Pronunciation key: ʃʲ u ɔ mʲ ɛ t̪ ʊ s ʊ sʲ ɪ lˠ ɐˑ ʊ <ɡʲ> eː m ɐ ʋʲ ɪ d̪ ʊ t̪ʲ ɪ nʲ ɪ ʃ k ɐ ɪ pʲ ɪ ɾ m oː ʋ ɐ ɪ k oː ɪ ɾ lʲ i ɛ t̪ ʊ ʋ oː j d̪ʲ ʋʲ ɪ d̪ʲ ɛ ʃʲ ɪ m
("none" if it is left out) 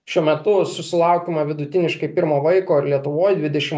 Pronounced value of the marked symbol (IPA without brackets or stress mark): kʲ